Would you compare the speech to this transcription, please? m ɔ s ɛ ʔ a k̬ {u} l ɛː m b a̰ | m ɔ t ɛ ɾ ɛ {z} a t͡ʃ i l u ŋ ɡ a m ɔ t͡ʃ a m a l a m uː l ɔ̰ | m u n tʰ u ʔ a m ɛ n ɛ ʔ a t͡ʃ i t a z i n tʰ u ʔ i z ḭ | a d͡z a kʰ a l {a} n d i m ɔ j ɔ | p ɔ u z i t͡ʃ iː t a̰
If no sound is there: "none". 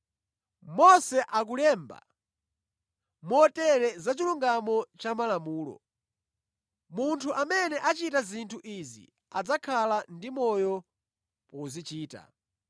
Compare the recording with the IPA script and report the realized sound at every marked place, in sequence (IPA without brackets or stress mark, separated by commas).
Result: u, z, a